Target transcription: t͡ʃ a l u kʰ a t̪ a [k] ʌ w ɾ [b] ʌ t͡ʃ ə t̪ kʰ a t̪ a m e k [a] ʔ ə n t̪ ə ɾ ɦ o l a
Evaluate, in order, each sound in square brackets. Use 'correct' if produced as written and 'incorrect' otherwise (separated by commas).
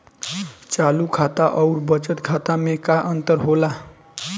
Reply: incorrect, correct, correct